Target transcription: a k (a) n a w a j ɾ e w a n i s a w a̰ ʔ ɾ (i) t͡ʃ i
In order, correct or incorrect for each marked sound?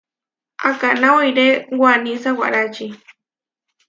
correct, incorrect

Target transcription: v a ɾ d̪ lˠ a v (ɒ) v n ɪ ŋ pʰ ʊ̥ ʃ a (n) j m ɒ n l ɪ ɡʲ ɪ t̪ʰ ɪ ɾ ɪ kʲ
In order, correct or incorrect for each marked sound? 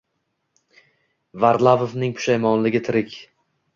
incorrect, incorrect

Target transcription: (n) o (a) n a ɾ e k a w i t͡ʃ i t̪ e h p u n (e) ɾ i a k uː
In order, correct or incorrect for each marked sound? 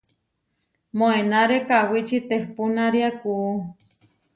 incorrect, incorrect, incorrect

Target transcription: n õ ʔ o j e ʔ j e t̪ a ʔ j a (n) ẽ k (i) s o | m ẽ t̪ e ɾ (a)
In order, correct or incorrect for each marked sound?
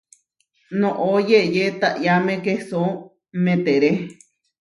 incorrect, incorrect, incorrect

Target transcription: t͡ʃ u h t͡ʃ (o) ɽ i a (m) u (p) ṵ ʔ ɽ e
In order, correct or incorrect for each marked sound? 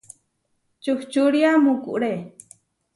incorrect, correct, incorrect

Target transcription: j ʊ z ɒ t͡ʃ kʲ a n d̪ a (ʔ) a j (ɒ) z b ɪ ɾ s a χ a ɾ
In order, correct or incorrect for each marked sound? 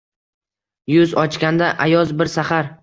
correct, correct

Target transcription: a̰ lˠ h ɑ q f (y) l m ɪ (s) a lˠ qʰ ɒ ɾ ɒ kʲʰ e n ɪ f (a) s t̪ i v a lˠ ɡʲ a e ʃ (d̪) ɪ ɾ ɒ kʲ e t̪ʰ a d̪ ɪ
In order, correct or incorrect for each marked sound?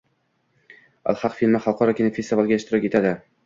incorrect, incorrect, incorrect, incorrect

